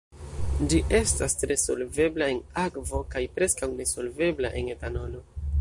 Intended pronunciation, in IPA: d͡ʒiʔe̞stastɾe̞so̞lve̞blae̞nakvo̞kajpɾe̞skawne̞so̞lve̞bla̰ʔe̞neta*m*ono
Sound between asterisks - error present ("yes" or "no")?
yes